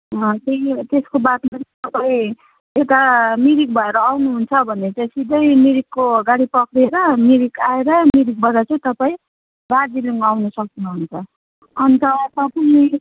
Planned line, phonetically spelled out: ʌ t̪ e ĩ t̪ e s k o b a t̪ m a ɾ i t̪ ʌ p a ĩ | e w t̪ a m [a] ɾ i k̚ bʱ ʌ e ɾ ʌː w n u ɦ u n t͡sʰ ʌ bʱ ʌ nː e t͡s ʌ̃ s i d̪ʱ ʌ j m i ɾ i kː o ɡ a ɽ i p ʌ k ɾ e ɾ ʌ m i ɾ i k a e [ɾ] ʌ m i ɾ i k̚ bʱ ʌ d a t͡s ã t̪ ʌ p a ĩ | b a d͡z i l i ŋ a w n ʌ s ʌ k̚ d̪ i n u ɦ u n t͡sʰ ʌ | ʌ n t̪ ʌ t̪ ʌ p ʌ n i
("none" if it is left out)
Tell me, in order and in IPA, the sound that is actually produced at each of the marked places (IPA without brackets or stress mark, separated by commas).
i, ɾ